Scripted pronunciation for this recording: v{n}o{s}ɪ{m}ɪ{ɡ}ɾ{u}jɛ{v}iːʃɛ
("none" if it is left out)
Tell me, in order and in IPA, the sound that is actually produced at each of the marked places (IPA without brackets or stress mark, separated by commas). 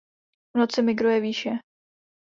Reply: n, t͡s, m, ɡ, u, v